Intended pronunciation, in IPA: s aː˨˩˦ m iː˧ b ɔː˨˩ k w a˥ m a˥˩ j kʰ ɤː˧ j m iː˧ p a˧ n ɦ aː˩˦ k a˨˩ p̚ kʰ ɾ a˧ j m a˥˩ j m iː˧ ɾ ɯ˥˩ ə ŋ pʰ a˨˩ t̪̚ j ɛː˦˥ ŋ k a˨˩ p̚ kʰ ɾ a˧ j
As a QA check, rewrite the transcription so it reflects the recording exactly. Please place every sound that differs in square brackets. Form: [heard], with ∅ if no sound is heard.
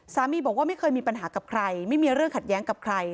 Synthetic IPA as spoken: s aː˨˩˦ m iː˧ b ɔː˨˩ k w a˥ m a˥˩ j kʰ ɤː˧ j m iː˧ p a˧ n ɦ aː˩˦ k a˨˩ p̚ kʰ ɾ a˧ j m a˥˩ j m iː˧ ɾ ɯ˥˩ ə ŋ [kʰ] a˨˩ t̪̚ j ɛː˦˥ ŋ k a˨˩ p̚ kʰ ɾ a˧ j